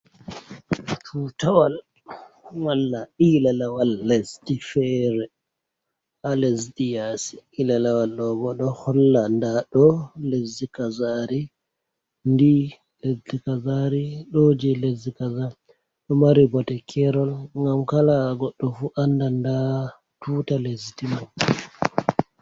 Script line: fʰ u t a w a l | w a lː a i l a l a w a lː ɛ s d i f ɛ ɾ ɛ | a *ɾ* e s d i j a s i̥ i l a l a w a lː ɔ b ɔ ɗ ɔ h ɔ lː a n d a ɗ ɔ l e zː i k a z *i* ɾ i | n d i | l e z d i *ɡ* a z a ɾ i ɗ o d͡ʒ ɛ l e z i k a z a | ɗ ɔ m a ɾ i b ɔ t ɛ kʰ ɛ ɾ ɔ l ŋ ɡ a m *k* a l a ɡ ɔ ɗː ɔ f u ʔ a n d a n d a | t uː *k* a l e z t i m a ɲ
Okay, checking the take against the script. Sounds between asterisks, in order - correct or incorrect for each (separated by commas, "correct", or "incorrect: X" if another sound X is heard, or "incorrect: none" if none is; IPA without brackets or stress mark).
incorrect: l, incorrect: a, incorrect: k, correct, incorrect: t